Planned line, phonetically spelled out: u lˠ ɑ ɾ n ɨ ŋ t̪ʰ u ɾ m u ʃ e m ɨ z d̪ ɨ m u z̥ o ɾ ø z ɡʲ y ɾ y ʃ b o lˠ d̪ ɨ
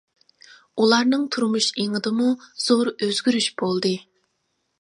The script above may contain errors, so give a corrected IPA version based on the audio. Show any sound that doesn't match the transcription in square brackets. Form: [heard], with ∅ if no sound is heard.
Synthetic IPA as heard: u lˠ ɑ ɾ n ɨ ŋ t̪ʰ u ɾ m u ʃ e [ŋ] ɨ [∅] d̪ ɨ m u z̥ o ɾ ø z ɡʲ y ɾ y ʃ b o lˠ d̪ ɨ